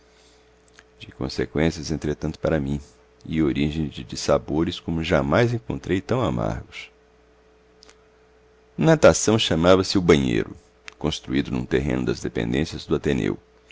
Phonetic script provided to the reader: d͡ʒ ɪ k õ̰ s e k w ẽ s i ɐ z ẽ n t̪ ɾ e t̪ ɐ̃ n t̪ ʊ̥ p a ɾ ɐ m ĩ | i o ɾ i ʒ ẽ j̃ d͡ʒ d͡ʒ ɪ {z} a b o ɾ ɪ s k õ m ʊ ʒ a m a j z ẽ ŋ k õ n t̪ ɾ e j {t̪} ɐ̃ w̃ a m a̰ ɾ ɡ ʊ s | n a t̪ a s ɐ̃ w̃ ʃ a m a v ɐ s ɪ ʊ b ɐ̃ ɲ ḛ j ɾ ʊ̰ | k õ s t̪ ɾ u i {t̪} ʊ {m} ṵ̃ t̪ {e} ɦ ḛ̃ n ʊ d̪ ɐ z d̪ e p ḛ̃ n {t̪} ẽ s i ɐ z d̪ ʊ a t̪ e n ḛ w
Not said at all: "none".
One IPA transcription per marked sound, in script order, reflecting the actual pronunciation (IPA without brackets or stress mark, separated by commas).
s, t̪, d̪, n, e, d̪